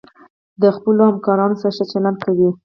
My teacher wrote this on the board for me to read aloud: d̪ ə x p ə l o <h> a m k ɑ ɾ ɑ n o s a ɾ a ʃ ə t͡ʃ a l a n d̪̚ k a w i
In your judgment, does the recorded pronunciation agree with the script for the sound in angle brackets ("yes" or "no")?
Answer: yes